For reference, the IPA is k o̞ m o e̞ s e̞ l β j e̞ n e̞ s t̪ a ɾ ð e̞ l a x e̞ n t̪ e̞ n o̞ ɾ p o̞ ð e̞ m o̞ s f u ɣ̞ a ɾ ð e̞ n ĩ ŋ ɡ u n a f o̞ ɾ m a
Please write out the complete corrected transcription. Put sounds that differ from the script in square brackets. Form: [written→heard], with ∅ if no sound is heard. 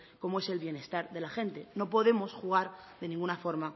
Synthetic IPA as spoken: k o̞ m o e̞ s e̞ l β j e̞ n e̞ s t̪ a ɾ ð e̞ l a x e̞ n t̪ e̞ n o̞ [ɾ→∅] p o̞ ð e̞ m o̞ s [f→x] u ɣ̞ a ɾ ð e̞ n ĩ ŋ ɡ u n a f o̞ ɾ m a